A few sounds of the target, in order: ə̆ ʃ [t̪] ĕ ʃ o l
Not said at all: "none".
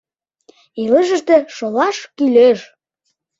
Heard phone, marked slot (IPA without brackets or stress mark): t̪